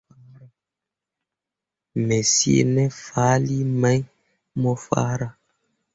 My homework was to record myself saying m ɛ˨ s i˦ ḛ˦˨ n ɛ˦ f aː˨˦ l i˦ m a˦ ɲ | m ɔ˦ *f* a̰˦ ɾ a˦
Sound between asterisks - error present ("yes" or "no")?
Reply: no